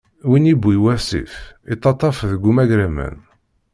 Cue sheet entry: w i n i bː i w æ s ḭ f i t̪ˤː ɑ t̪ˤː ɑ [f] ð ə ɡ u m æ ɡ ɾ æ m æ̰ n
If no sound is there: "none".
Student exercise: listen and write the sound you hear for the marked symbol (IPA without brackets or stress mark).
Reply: f